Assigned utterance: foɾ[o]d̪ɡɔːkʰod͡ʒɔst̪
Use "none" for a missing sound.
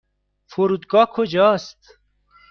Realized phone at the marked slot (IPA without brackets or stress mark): u